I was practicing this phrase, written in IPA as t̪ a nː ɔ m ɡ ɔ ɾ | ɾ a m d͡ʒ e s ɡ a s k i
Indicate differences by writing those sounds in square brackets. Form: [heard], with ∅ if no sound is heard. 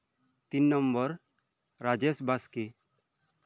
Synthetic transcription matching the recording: t̪ [i] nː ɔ m [b] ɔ ɾ | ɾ a [∅] d͡ʒ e s [b] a s k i